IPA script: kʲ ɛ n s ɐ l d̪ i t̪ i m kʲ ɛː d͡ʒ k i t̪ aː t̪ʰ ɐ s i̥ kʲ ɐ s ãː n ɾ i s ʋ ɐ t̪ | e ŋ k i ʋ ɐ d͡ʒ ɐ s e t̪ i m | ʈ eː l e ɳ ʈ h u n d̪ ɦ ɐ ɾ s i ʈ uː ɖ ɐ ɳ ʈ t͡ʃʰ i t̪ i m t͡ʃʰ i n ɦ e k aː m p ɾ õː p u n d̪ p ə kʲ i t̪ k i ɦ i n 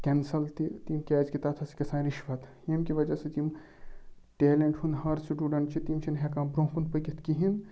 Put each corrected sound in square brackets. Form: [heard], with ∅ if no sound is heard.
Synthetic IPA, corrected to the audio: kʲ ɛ n s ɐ l [t̪] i t̪ i m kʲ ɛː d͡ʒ k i t̪ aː t̪ʰ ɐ s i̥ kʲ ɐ s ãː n ɾ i [ʃ] ʋ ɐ t̪ | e [m] k i ʋ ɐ d͡ʒ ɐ s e t̪ i m | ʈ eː l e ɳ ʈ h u n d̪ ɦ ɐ ɾ s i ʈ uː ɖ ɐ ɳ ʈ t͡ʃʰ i t̪ i m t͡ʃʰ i n ɦ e k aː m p ɾ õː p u n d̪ p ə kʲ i t̪ k i ɦ i n